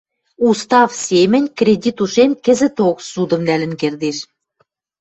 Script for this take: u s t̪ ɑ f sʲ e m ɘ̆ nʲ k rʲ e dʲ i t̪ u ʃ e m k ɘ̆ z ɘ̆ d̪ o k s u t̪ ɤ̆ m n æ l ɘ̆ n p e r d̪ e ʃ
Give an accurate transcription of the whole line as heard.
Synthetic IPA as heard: u s t̪ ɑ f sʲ e m ɘ̆ nʲ k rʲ e dʲ i t̪ u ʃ e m k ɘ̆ z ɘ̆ t̪ o k s u d̪ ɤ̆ m n æ l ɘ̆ n k e r d̪ e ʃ